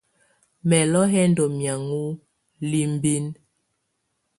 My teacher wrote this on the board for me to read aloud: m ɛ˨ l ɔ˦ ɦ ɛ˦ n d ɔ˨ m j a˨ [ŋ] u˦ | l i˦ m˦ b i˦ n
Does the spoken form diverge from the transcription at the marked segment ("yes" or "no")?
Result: no